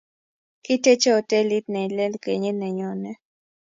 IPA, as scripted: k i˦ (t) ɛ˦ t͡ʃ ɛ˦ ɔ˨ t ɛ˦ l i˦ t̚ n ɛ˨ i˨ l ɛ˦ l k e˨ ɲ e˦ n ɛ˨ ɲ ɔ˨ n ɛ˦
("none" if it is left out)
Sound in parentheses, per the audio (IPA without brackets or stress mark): t